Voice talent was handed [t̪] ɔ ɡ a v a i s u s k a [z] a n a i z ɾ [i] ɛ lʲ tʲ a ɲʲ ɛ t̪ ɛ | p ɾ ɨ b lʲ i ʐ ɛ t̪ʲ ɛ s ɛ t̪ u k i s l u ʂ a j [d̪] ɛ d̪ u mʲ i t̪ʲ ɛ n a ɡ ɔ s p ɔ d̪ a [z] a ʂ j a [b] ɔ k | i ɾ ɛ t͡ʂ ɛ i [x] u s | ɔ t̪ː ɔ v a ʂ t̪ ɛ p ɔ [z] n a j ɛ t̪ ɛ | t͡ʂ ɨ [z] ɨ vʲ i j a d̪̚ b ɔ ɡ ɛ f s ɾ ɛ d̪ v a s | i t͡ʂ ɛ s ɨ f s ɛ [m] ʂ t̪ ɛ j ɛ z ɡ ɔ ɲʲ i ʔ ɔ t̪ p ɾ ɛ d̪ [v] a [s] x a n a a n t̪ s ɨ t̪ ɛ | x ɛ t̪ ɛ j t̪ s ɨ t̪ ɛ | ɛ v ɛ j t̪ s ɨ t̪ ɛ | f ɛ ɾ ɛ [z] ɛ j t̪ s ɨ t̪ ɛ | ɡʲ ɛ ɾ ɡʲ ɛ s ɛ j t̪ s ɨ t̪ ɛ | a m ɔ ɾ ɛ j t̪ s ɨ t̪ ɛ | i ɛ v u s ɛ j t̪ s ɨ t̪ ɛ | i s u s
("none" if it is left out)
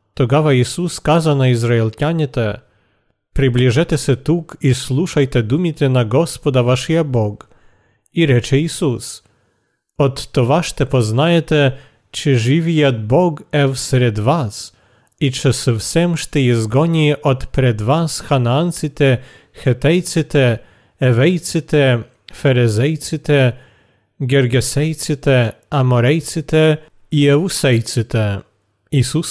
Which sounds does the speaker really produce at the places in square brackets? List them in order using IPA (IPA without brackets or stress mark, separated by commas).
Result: t̪, z, a, t̪, v, b, s, z, ʐ, m, v, s, z